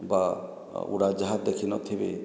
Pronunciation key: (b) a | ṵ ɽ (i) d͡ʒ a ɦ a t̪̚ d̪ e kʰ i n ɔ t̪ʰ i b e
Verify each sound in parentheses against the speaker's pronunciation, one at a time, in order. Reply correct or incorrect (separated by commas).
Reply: correct, incorrect